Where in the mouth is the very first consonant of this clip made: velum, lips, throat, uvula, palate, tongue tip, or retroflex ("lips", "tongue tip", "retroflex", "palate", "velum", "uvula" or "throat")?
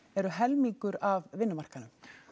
tongue tip